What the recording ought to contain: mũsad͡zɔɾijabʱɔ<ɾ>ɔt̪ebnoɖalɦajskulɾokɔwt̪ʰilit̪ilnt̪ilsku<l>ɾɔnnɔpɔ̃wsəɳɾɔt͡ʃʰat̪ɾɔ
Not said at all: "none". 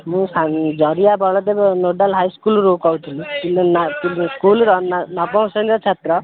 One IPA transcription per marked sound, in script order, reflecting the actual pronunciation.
ɭ, l

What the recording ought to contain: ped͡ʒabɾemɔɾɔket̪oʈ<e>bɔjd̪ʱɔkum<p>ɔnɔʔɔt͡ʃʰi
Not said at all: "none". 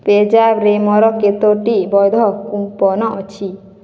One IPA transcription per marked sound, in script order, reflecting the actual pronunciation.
i, p

